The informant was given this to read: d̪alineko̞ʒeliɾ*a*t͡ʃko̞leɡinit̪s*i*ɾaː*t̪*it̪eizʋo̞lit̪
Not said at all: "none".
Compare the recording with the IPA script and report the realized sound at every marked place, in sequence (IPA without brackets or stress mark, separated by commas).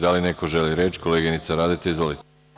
e, a, d̪